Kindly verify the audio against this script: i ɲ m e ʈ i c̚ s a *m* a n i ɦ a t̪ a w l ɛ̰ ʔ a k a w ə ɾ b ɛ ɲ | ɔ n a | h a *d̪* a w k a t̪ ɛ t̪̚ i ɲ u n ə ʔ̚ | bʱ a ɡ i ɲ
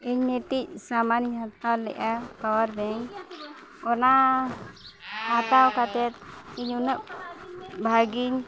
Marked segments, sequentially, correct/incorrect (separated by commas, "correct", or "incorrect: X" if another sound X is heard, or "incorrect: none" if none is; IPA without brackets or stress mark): correct, incorrect: t̪